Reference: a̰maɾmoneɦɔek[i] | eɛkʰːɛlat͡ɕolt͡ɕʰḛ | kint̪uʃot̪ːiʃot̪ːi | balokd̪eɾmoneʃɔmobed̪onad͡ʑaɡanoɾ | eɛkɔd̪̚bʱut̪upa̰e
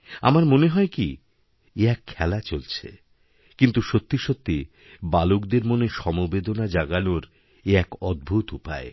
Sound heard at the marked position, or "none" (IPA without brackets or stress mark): i